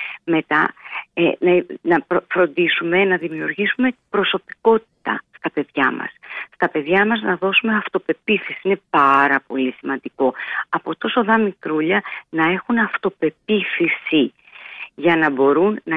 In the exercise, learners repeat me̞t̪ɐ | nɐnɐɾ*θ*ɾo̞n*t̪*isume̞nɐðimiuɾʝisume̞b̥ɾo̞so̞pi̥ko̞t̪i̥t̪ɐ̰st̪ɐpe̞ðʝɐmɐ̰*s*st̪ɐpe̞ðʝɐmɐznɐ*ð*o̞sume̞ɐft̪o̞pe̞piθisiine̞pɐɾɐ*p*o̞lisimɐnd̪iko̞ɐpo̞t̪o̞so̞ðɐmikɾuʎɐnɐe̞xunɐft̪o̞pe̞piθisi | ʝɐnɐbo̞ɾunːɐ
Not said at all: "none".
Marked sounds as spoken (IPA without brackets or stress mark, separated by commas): f, d̪, s, ð, p